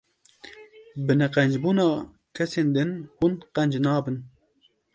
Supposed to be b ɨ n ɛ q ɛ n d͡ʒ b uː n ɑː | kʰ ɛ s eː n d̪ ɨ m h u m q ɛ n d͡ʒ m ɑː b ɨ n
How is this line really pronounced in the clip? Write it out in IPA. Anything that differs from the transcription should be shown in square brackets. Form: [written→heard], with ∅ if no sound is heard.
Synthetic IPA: b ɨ n ɛ q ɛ n d͡ʒ b uː n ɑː | kʰ ɛ s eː n d̪ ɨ [m→n] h u [m→n] q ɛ n d͡ʒ [m→n] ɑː b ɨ n

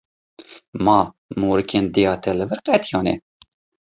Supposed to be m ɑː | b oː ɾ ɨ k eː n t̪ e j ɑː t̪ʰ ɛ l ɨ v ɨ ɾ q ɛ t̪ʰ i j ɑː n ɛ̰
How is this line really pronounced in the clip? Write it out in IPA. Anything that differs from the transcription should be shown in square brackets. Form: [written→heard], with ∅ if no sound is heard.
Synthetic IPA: m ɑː | [b→m] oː ɾ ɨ k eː n [t̪→d̪] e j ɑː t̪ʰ ɛ l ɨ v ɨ ɾ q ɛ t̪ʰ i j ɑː n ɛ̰

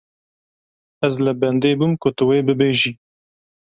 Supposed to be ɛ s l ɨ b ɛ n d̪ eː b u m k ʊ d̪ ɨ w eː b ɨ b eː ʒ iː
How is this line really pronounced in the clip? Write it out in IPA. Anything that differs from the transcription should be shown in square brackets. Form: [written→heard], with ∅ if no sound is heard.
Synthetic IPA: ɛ [s→z] l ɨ b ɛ n d̪ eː b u m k ʊ [d̪→t̪] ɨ w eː b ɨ b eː ʒ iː

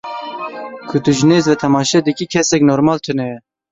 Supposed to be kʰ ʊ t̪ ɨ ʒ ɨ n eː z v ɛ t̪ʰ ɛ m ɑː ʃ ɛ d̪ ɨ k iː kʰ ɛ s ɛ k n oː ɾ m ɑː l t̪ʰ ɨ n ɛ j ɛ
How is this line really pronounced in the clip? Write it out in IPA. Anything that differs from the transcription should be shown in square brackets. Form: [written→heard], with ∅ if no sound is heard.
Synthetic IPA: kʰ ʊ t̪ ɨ ʒ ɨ n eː z v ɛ t̪ʰ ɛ m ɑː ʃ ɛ d̪ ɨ k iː kʰ ɛ s ɛ k n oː ɾ m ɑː l t̪ʰ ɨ n ɛ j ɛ

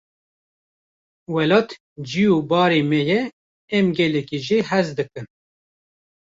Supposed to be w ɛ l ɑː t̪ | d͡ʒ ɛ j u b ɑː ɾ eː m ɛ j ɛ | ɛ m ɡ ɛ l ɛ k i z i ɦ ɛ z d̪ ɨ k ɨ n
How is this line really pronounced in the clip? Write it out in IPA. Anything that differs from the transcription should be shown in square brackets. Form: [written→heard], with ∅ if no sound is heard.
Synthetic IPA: w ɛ l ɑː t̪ | d͡ʒ [ɛ→i] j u b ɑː ɾ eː m ɛ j ɛ | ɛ m ɡ ɛ l ɛ k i [z→ʒ] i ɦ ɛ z d̪ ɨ k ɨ n

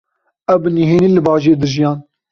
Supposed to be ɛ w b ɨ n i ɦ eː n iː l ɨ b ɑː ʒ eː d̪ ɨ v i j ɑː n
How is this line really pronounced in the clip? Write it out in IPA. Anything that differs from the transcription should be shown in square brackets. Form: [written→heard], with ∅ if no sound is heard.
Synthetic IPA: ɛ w b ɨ n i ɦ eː n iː l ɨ b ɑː ʒ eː d̪ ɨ [v→ʒ] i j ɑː n

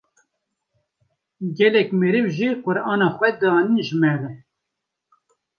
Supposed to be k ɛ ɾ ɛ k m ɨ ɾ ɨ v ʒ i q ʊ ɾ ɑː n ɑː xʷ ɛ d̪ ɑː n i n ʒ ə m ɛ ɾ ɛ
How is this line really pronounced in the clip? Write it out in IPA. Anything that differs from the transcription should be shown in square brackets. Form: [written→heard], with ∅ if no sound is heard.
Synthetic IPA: [k→ɡ] ɛ [ɾ→l] ɛ k m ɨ ɾ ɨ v ʒ i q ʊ ɾ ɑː n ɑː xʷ ɛ d̪ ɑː n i n ʒ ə m ɛ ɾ ɛ

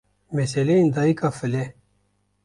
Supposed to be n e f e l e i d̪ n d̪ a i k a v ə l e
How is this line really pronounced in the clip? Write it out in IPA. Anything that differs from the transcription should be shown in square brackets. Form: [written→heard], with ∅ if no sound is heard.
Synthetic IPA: [n→m] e [f→s] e l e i [d̪→∅] n d̪ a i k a [v→f] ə l e

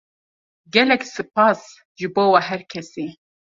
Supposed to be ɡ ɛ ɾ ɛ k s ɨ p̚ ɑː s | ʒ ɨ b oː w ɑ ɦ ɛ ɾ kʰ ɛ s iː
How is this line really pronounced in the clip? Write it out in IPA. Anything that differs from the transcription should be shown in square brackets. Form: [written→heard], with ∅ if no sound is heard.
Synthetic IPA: ɡ ɛ [ɾ→l] ɛ k s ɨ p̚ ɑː s | ʒ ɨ b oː w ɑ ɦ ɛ ɾ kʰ ɛ s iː

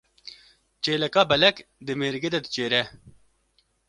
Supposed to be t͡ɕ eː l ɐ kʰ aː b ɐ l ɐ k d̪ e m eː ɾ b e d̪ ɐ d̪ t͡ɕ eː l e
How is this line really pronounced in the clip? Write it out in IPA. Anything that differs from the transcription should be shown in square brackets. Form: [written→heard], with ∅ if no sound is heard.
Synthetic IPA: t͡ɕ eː l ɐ [kʰ→k] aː b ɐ l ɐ k d̪ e m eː ɾ [b→ɡ] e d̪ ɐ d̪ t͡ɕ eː [l→ɾ] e

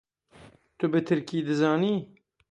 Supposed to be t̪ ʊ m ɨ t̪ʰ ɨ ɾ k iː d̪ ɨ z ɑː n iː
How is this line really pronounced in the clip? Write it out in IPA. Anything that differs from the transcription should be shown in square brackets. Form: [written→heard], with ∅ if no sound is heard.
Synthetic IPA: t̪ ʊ [m→b] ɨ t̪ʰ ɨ ɾ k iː d̪ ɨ z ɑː n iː

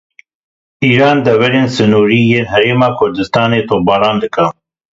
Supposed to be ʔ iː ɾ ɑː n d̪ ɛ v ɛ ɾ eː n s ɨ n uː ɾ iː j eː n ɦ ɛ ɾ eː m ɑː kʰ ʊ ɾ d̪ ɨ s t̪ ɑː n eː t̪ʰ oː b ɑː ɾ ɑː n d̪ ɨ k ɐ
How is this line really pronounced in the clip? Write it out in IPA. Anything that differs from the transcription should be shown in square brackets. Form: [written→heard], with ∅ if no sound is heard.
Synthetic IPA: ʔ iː ɾ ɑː n d̪ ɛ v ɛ ɾ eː n s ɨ n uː ɾ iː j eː n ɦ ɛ ɾ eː m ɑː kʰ ʊ ɾ d̪ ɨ s t̪ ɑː n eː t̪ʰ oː b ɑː ɾ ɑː n d̪ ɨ k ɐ

